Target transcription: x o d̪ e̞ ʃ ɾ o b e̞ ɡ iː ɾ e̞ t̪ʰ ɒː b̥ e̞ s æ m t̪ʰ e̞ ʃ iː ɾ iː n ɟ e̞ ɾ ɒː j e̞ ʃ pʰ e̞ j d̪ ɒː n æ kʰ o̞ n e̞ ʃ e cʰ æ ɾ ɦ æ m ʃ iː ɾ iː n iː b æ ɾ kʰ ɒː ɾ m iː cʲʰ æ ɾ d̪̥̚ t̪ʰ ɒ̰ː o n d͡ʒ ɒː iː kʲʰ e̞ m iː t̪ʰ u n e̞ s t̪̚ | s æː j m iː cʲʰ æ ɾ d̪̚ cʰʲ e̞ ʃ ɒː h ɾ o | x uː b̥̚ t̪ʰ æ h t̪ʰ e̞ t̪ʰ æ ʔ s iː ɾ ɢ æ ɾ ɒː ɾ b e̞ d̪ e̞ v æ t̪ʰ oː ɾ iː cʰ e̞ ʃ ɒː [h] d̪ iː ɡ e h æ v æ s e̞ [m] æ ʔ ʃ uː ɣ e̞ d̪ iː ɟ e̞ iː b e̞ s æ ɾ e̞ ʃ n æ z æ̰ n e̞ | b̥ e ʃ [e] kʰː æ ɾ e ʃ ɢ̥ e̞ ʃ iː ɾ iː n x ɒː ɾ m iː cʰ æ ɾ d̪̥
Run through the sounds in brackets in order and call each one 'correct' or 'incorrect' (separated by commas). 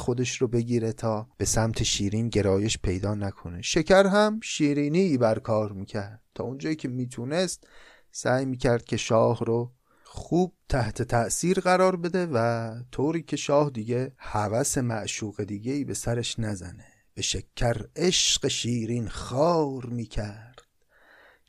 correct, correct, correct